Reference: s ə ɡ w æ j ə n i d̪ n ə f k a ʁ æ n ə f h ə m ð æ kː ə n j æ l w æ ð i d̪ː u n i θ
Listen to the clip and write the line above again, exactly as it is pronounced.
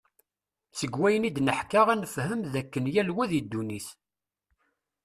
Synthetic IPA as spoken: s ə ɡ w æ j ə n i d̪ n ə ħ k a ʁ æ n ə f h ə m ð æ kː ə n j æ l w æ ð i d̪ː u n i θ